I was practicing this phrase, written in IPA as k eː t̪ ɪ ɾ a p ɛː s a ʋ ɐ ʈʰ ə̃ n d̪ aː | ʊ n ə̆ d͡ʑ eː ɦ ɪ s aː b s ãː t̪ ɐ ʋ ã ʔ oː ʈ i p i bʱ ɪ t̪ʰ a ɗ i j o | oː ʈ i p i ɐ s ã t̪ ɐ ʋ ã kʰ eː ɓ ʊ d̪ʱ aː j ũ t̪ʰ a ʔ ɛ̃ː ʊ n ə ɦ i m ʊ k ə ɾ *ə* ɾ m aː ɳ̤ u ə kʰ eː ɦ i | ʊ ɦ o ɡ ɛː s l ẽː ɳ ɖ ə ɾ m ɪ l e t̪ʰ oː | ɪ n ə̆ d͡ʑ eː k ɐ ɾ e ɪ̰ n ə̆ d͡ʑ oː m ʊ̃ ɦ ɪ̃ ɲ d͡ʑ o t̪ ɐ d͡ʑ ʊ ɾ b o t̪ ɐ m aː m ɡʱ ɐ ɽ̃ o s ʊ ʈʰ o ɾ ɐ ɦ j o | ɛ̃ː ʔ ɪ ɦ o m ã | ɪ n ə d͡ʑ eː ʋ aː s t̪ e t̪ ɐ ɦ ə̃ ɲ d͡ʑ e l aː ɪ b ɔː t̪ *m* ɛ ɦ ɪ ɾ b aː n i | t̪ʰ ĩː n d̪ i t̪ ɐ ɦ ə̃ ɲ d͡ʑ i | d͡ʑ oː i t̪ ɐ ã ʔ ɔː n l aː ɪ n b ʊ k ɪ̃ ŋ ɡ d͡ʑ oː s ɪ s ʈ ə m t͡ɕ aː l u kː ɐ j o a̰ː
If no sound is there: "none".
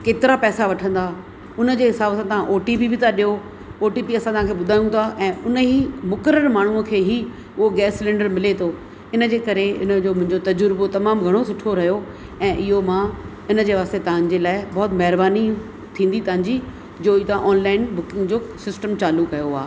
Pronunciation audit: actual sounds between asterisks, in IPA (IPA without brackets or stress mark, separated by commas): ə, m